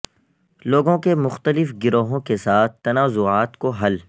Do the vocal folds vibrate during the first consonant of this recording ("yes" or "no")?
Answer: yes